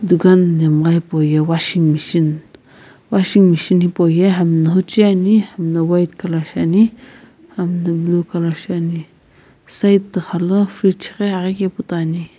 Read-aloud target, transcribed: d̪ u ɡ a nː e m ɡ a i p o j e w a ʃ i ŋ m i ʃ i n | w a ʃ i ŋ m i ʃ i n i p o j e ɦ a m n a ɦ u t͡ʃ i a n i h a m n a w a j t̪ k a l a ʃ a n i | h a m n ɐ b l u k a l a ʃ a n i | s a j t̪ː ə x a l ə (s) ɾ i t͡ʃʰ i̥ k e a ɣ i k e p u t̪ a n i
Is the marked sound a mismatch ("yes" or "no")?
yes